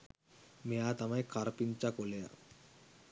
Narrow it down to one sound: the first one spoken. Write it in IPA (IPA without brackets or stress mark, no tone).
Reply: m